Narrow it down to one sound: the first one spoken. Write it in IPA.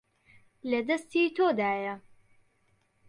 l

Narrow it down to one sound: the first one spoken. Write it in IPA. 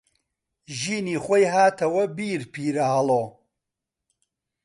ʒ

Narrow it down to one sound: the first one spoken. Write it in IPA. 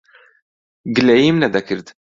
ɡ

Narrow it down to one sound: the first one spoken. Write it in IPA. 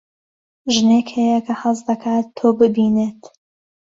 ʒ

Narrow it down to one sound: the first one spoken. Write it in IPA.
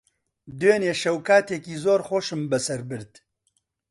d̪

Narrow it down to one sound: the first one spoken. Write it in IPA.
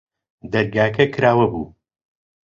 d̪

